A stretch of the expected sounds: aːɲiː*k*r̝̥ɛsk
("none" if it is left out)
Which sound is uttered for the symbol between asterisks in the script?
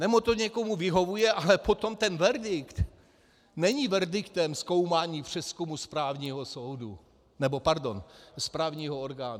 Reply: p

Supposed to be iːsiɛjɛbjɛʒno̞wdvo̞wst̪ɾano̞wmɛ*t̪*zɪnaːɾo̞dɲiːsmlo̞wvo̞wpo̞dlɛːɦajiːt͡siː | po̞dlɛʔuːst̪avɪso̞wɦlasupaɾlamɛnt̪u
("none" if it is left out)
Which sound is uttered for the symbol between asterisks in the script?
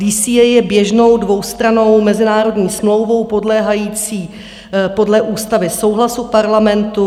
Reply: none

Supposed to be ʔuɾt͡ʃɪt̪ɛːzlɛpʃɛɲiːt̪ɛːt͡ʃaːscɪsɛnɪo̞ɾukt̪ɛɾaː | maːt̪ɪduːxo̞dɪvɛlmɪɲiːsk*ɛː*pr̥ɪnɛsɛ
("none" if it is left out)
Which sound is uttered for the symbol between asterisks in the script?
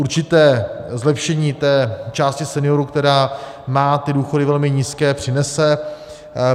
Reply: ɛː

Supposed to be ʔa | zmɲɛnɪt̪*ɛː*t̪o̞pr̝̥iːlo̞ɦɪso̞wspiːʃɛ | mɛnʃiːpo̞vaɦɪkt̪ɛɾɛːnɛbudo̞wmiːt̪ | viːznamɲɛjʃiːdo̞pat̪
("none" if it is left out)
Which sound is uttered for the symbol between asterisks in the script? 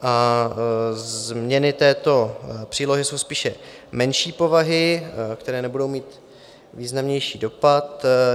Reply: ɛː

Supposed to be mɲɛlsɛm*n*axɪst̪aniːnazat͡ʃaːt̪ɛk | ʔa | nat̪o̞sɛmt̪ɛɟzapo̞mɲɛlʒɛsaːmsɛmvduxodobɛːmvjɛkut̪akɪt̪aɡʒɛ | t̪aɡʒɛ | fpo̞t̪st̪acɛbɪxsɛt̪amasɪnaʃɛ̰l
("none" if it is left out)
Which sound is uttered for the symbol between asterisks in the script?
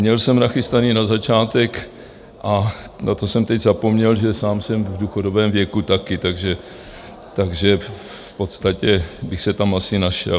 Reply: n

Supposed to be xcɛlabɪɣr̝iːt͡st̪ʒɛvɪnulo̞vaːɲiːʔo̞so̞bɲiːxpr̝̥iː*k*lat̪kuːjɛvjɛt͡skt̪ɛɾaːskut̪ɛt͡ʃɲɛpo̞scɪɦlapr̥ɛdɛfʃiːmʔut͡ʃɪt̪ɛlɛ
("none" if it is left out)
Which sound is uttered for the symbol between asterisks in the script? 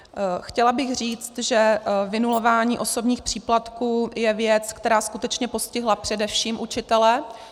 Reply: p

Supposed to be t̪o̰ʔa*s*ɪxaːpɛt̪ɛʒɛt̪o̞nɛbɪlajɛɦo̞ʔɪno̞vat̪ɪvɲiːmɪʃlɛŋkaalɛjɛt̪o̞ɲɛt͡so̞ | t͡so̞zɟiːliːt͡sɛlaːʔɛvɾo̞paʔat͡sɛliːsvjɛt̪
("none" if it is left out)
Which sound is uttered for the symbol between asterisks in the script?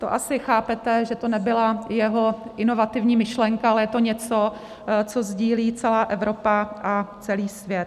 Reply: s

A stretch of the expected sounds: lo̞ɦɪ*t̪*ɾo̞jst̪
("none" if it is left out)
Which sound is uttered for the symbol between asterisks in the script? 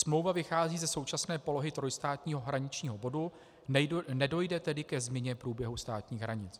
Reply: t̪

